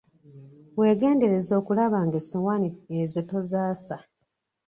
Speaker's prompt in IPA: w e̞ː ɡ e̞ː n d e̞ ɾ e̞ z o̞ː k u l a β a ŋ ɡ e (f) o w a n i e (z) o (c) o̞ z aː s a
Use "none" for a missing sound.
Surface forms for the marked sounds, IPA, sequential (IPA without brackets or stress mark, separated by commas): s, z, t